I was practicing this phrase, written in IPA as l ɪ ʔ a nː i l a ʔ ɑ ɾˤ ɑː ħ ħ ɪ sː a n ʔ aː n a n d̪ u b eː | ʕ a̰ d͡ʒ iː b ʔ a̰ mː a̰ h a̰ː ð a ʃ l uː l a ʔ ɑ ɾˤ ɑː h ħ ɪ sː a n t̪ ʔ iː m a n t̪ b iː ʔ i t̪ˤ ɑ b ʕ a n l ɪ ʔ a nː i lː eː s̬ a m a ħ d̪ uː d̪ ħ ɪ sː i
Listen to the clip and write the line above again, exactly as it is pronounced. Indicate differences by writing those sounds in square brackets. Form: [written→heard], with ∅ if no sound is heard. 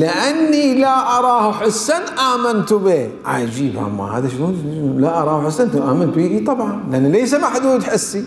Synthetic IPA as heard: l ɪ ʔ a nː i l a ʔ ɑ ɾˤ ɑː [ħ→h] ħ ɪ sː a n ʔ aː [n→m] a n [d̪→t̪] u b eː | ʕ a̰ d͡ʒ iː b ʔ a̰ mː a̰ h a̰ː ð a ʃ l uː l a ʔ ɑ ɾˤ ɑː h ħ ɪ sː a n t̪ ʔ [iː→aː] m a n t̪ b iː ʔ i t̪ˤ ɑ b ʕ [a→ɑ] n l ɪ ʔ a nː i [lː→l] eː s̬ a m a ħ d̪ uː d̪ ħ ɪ sː i